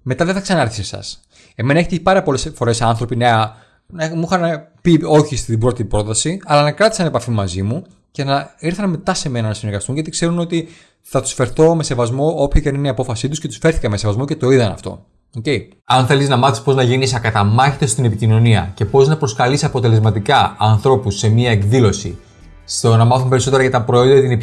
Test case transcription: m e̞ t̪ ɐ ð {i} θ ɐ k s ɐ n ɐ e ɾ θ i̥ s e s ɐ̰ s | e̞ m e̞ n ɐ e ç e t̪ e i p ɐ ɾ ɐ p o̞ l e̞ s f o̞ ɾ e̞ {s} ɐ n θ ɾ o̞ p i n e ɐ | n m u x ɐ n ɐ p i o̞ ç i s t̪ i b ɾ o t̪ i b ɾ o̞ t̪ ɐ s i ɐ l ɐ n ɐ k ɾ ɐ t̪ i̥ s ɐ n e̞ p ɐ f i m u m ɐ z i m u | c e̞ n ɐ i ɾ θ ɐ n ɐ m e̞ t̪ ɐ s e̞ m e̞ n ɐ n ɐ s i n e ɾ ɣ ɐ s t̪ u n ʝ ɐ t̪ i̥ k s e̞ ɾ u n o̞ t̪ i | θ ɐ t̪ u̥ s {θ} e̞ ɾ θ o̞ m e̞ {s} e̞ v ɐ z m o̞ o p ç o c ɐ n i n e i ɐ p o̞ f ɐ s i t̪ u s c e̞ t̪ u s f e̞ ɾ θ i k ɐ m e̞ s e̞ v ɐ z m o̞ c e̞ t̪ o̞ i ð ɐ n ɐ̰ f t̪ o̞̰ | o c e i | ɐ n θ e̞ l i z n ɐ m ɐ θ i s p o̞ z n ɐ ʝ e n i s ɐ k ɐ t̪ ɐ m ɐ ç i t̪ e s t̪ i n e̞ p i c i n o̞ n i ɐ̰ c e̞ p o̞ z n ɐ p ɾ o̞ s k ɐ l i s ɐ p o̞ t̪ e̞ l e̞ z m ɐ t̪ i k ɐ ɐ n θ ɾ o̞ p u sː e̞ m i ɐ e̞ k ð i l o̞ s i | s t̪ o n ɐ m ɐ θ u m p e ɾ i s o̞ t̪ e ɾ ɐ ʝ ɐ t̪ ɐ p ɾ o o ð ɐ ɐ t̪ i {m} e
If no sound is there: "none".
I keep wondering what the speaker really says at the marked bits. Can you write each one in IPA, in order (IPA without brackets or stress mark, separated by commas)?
e, s, f, s, n